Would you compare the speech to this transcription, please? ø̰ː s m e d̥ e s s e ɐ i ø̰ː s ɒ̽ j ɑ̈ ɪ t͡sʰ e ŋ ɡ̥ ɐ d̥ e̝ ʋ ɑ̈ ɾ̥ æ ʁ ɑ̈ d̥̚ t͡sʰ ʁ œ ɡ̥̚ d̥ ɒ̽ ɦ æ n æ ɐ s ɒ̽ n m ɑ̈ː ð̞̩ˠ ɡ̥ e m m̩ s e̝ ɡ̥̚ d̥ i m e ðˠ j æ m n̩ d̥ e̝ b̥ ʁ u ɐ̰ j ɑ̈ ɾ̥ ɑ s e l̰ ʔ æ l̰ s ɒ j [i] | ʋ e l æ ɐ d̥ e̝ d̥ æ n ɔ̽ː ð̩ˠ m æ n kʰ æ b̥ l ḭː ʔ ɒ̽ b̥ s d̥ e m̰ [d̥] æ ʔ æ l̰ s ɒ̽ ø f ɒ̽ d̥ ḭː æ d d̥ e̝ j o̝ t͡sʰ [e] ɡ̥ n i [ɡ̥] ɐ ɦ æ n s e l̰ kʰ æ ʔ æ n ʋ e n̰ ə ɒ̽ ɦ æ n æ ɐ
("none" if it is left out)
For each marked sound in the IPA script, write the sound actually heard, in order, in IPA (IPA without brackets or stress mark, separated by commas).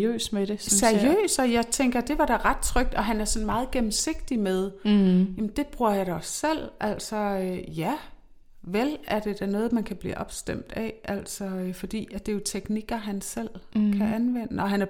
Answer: æ, d̥, e, ɡ̥